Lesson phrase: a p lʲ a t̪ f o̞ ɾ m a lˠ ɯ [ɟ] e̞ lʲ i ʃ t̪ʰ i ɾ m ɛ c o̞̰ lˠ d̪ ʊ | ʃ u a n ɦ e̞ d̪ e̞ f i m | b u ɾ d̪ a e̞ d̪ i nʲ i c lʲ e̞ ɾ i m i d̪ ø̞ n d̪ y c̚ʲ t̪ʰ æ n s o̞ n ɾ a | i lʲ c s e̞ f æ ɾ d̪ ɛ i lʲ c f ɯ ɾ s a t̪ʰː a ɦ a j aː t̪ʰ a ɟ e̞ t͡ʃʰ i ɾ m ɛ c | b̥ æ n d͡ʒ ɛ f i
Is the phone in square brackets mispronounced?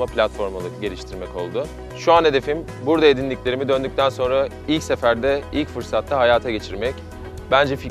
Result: no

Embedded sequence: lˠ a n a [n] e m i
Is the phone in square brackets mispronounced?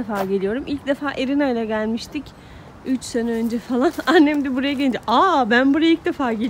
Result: yes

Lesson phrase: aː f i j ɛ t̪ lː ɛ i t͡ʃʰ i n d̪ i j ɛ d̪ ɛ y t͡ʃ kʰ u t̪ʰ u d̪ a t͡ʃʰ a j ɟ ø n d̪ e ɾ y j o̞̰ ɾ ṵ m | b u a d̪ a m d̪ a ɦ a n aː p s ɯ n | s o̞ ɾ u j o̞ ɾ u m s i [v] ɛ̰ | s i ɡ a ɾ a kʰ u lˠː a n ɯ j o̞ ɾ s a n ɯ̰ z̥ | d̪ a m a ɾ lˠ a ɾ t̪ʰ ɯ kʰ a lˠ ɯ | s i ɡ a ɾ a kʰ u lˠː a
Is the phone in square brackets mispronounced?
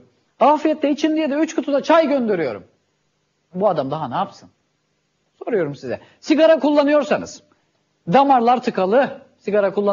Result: yes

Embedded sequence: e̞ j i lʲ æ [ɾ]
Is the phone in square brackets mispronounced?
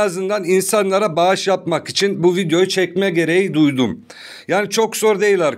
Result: no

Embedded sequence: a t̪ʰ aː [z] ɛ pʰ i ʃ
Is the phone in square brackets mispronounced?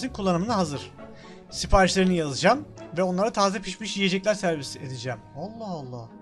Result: no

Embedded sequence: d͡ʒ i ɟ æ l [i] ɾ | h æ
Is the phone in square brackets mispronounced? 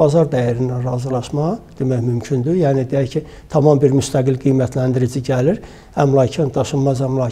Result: no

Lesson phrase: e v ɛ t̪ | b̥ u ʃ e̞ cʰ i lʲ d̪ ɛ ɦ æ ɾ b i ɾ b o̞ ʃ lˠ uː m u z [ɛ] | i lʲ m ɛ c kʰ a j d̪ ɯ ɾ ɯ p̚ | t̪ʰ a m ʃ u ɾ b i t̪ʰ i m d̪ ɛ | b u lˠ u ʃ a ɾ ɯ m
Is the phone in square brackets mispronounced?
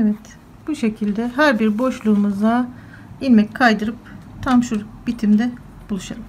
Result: yes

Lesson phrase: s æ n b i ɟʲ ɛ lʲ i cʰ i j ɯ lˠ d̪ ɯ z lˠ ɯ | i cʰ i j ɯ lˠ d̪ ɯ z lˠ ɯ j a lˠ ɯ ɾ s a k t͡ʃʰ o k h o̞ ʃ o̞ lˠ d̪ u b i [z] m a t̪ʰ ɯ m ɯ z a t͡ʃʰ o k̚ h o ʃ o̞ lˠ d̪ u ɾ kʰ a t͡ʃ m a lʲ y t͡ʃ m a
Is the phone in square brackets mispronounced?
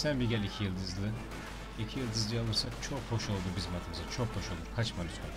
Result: no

